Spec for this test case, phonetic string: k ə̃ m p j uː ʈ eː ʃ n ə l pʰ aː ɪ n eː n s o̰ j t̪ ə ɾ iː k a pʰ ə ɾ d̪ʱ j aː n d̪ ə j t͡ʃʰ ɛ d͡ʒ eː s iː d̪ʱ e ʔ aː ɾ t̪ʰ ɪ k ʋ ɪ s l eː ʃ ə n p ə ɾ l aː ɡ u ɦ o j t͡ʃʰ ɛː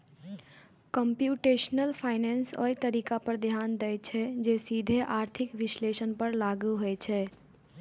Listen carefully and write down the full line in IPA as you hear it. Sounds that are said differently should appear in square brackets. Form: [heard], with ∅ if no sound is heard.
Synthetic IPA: k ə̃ m p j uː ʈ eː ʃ n ə l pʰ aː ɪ n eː n s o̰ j t̪ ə ɾ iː k a [p] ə ɾ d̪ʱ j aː n d̪ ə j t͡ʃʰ ɛ d͡ʒ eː s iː d̪ʱ e ʔ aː ɾ t̪ʰ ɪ k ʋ ɪ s l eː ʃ ə n p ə ɾ l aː ɡ u ɦ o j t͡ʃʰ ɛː